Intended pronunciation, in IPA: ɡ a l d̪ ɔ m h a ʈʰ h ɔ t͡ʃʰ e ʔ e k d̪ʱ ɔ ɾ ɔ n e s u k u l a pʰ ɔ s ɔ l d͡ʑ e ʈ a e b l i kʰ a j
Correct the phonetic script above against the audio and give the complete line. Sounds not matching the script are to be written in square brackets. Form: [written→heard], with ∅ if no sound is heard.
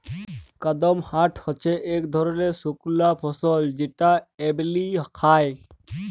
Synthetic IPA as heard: [ɡ→k] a [l→∅] d̪ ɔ m h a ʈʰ h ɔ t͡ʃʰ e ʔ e k d̪ʱ ɔ ɾ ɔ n e s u k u l a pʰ ɔ s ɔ l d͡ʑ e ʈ a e b l i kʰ a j